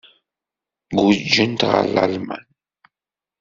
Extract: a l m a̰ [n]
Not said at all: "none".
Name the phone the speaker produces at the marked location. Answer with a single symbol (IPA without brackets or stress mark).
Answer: n